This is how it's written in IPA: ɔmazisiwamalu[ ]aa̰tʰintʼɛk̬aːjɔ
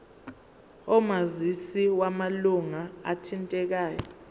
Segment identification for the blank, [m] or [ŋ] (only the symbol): ŋ